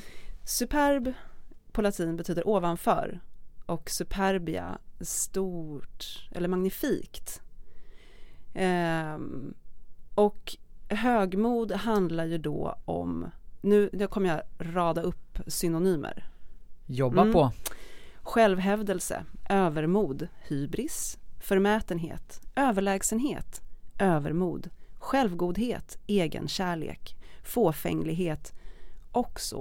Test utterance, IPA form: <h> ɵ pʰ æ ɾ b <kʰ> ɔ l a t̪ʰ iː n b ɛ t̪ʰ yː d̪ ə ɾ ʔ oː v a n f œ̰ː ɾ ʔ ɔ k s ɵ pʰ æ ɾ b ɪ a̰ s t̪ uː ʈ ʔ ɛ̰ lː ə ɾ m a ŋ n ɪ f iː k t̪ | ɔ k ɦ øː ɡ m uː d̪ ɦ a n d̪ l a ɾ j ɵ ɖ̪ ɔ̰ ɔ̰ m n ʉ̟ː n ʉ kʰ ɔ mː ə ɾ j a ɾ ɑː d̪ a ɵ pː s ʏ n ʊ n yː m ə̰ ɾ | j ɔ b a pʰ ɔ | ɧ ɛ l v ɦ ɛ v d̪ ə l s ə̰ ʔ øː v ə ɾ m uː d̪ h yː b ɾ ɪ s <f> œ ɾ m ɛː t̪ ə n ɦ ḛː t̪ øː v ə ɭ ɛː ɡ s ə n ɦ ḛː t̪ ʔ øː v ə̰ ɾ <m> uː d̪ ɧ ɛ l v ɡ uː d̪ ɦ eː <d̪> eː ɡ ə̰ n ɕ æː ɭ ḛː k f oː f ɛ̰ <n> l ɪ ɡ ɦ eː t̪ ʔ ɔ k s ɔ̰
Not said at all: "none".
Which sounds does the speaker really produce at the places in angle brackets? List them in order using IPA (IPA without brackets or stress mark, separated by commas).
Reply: s, pʰ, f, m, t̪, ŋ